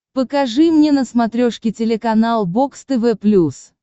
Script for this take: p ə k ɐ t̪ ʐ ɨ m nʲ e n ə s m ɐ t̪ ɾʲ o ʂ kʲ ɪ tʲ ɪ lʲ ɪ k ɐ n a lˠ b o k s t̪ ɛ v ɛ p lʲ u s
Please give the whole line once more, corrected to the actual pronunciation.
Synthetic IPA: p ə k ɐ ʐ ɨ m nʲ e n ə s m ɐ t̪ ɾʲ o ʂ kʲ ɪ tʲ ɪ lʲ ɪ k ɐ n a lˠ b o k s t̪ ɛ v ɛ p lʲ u s